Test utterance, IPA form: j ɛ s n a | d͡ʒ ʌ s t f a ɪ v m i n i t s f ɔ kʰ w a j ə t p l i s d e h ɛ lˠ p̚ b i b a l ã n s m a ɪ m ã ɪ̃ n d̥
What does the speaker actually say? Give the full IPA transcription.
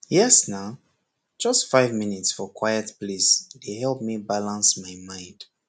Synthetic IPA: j ɛ s n a | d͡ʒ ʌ s t f a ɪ v m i n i t s f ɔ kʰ w a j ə t p l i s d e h ɛ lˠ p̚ m i b a l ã n s m a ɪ m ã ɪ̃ n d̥